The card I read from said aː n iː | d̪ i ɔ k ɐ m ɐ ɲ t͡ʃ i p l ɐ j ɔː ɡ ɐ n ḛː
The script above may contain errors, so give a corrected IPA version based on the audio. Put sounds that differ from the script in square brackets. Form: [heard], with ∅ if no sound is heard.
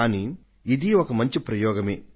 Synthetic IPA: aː n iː | d̪ i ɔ k ɐ m ɐ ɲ t͡ʃ i p [ɾ] ɐ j ɔː ɡ ɐ [m] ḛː